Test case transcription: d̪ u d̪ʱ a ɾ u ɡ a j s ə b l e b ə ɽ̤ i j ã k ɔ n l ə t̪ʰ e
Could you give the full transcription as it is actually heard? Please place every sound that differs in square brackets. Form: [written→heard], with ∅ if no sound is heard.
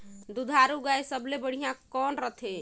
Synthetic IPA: d̪ u d̪ʱ a ɾ u ɡ a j s ə b l e b ə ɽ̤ i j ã k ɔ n [l→ɾ] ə t̪ʰ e